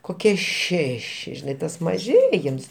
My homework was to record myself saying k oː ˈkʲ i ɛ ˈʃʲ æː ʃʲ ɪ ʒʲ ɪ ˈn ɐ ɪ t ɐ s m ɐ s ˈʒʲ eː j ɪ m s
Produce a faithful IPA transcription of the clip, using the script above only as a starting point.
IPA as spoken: k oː ˈkʲ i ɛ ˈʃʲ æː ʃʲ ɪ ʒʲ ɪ ˈn ɐ ɪ t ɐ s m ɐ ˈʒʲ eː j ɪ m s